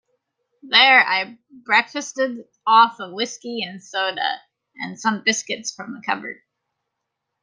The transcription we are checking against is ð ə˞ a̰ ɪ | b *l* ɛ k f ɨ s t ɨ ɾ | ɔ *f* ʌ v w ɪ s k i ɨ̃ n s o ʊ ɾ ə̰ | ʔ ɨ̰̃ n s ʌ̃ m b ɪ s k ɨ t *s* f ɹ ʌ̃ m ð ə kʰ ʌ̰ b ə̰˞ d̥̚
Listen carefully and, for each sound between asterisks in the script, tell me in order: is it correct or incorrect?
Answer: incorrect: ɹ, correct, correct

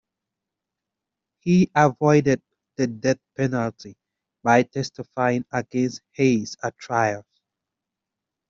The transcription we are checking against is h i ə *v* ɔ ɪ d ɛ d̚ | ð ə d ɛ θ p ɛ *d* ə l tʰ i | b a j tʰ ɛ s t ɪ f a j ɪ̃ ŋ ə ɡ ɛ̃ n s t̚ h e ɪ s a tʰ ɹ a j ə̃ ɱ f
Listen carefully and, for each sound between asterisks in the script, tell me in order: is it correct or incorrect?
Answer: correct, incorrect: n

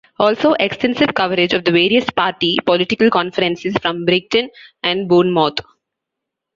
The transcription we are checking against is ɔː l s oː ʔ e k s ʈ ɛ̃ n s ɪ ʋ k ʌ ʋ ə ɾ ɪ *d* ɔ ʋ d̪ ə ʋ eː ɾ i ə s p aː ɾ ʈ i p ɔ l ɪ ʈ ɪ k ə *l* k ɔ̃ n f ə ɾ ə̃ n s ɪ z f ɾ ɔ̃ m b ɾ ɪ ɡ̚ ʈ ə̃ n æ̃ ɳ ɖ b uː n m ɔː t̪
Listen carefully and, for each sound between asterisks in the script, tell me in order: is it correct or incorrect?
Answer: incorrect: d͡ʒ, correct

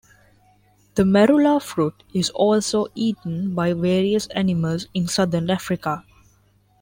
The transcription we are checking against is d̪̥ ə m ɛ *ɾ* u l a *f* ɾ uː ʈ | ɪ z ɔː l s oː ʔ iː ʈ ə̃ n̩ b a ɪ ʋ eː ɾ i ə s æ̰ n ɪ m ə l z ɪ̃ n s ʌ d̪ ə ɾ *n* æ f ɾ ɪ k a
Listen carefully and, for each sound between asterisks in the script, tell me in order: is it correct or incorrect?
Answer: correct, correct, correct

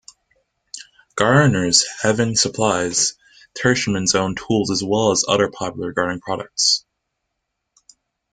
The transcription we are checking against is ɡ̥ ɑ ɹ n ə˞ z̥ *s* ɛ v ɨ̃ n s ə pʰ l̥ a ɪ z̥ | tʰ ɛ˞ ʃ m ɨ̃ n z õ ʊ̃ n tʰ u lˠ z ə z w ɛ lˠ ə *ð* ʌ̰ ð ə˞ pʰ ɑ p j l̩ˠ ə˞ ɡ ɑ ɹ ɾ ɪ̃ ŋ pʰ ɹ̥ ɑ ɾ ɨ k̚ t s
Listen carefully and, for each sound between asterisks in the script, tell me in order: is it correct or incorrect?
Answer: incorrect: h, incorrect: z

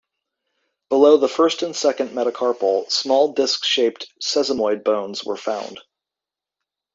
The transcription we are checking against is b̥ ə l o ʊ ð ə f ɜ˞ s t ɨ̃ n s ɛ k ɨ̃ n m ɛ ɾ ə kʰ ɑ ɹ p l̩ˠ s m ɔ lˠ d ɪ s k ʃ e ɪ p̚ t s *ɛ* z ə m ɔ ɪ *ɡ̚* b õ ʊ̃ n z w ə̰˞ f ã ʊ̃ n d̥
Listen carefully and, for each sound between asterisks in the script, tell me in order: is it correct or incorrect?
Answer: correct, incorrect: d̚

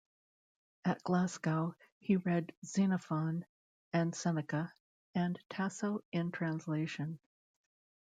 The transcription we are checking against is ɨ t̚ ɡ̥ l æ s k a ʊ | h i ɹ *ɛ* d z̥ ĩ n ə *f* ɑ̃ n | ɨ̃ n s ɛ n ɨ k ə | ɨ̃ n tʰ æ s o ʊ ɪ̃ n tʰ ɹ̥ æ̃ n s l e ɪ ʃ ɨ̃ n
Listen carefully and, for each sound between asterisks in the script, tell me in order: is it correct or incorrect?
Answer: correct, correct

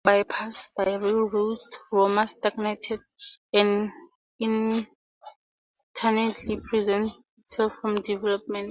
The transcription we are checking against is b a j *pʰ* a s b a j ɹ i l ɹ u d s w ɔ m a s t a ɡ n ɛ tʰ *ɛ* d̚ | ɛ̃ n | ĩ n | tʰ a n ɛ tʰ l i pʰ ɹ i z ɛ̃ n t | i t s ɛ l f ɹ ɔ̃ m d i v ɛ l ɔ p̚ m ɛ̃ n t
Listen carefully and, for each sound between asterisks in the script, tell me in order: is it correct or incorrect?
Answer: correct, correct

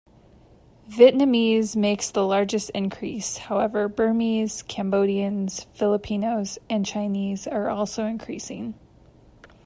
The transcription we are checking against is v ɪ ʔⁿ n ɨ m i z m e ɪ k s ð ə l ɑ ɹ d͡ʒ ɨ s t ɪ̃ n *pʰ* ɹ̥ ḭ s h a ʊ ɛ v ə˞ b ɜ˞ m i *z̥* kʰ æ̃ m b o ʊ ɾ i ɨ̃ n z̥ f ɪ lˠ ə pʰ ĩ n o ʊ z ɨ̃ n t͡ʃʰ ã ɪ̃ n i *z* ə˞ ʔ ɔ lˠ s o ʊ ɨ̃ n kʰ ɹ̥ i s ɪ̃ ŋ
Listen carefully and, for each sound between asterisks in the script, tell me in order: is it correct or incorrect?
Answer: incorrect: kʰ, correct, correct

